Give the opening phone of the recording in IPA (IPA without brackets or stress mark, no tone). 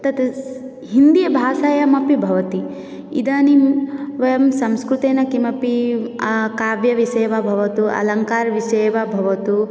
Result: t̪